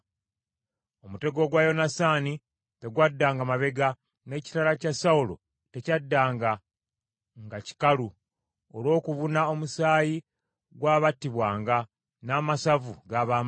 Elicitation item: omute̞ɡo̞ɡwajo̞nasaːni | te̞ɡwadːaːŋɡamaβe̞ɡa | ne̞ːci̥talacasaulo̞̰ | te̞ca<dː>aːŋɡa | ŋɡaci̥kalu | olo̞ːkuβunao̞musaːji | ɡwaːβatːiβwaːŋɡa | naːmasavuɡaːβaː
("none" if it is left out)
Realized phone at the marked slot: dː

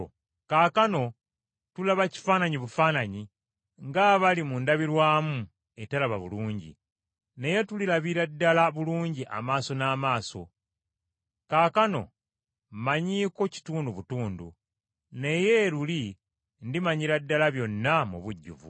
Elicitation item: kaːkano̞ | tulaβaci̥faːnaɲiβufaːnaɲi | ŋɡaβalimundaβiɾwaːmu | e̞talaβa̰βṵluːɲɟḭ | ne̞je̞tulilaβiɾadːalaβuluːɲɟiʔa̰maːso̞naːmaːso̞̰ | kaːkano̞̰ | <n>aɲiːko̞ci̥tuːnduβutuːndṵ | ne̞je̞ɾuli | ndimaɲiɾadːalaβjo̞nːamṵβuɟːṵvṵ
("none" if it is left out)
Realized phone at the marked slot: m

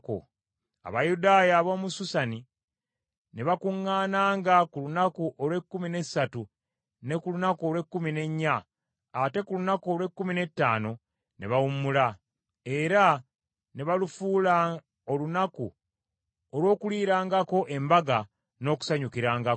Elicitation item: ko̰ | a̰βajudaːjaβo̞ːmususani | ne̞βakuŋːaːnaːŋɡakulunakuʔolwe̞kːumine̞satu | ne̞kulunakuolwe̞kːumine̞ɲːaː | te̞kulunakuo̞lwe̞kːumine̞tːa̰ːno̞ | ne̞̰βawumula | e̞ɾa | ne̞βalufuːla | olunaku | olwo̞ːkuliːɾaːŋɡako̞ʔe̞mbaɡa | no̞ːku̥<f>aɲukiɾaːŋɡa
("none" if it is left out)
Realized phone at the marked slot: s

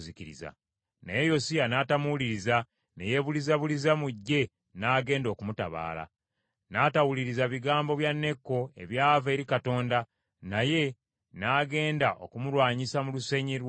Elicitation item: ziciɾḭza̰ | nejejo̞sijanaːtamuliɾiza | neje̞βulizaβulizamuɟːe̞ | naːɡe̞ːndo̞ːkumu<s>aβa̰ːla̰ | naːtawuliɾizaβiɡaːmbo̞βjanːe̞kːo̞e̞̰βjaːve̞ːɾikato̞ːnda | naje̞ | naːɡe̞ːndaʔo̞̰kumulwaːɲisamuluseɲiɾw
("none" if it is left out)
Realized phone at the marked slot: t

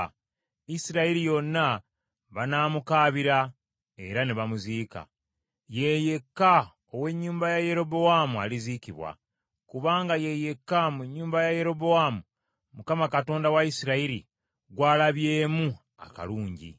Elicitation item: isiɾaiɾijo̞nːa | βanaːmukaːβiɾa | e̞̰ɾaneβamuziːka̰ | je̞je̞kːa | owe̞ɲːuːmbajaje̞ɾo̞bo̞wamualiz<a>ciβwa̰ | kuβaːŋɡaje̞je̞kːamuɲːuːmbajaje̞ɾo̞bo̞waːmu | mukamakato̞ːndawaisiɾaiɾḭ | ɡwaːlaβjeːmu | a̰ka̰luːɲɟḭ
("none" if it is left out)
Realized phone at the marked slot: i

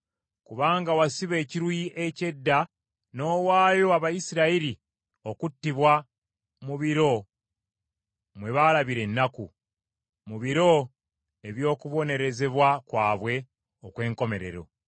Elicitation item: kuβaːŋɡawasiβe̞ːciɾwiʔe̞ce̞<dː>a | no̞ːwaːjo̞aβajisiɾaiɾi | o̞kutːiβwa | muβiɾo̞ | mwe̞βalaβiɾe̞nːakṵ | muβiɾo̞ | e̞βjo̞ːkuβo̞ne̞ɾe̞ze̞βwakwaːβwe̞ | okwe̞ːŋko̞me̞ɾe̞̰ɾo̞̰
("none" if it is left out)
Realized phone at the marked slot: dː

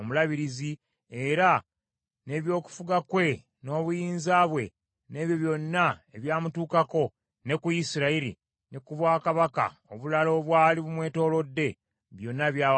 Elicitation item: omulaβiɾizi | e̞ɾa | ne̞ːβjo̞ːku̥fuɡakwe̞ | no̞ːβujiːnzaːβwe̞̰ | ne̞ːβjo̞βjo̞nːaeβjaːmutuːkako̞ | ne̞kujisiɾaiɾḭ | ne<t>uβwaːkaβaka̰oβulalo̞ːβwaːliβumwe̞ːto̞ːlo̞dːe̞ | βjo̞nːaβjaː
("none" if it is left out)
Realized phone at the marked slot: k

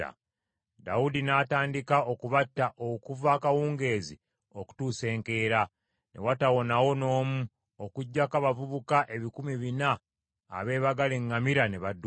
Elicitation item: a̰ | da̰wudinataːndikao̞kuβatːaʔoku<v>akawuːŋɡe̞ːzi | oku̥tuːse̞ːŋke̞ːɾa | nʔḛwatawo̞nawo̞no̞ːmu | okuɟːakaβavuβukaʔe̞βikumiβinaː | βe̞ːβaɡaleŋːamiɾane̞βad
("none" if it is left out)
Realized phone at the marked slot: v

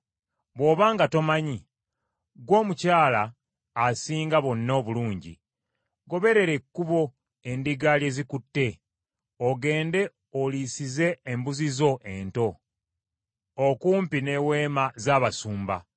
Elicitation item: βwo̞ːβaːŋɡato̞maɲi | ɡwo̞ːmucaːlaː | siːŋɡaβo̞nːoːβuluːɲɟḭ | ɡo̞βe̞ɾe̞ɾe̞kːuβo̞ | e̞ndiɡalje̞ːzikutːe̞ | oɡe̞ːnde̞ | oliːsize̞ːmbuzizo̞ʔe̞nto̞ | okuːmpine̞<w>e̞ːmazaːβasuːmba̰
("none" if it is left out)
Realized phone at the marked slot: w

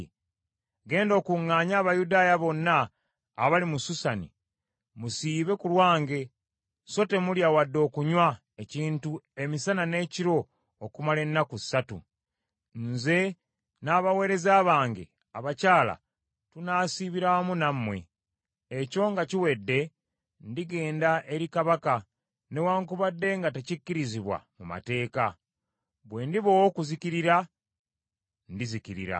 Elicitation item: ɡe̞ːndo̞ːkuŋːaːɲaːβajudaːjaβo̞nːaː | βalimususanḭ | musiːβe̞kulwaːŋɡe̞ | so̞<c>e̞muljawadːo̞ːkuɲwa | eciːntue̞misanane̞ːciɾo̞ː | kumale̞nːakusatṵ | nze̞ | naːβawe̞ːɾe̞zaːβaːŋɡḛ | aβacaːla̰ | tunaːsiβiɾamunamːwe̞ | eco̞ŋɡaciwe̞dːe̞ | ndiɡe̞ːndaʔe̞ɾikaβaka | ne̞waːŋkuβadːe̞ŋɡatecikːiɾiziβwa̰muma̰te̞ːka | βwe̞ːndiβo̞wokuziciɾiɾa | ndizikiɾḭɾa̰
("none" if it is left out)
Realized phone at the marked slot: t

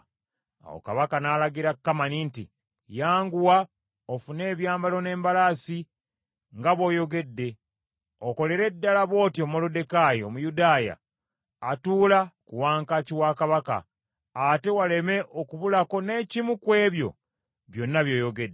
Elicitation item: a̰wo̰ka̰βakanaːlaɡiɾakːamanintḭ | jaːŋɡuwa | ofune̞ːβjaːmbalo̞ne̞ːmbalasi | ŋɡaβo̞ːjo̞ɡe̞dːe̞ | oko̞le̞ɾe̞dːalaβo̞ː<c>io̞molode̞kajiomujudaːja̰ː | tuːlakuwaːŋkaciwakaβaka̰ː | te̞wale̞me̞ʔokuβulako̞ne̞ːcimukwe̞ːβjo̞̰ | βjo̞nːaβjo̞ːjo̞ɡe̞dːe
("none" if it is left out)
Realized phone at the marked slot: t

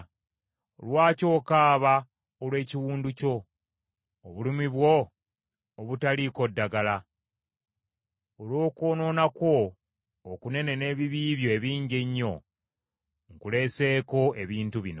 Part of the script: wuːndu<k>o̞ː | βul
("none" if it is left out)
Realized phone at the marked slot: c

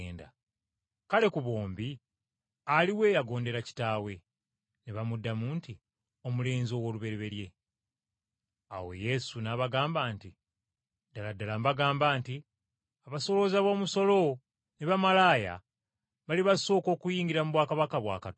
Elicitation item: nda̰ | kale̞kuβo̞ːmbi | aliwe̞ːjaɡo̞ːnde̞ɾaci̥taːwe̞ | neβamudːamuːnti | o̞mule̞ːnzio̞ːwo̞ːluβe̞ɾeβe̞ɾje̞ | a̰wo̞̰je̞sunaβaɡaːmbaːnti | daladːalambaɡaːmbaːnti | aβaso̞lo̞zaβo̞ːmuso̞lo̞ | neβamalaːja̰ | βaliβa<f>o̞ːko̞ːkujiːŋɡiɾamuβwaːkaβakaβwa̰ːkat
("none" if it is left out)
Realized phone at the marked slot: s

